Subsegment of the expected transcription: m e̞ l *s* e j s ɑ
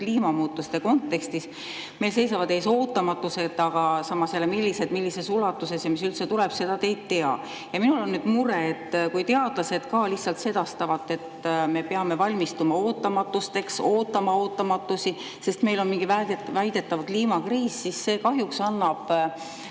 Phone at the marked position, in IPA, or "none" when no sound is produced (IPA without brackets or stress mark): s